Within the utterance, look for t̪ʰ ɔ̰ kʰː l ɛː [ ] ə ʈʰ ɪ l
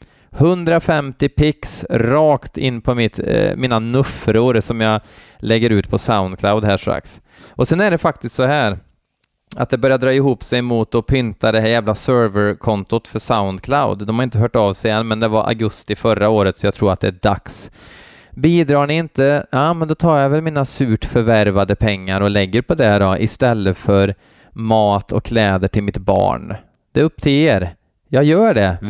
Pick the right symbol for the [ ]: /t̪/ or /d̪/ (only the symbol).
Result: d̪